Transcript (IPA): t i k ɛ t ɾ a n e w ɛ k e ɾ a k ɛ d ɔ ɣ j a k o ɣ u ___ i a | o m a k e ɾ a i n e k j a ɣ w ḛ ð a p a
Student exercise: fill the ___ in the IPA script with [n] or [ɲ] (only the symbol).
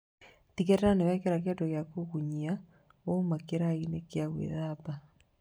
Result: ɲ